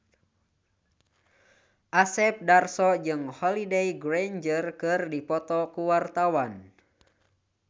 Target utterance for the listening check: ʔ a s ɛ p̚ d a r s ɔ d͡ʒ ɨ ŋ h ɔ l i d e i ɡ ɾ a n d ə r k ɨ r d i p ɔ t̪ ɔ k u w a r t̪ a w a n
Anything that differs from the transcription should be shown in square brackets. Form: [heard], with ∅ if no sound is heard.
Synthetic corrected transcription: ʔ a s ɛ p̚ d a r s ɔ d͡ʒ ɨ ŋ h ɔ l i d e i ɡ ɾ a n [d͡ʒ] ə r k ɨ r d i p ɔ t̪ ɔ k u w a r t̪ a w a n